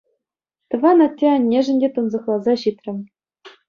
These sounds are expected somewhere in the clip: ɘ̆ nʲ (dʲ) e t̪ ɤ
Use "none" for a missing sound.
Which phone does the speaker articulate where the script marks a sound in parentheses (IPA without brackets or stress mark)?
dʲ